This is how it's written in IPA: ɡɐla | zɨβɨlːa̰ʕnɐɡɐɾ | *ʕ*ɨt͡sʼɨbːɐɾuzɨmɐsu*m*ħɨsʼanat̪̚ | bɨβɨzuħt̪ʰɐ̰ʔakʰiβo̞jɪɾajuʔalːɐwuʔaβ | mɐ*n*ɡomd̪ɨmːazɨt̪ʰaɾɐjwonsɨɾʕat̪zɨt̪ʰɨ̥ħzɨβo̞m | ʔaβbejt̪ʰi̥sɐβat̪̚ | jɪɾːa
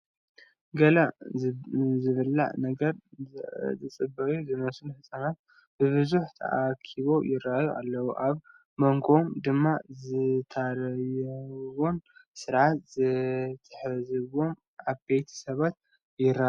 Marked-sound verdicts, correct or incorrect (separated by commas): incorrect, incorrect, incorrect